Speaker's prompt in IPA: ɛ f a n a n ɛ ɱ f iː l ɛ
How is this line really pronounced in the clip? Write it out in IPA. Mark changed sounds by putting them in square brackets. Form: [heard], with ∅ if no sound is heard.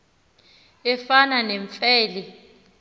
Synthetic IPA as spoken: ɛ f a n a n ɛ ɱ f [ɛː] l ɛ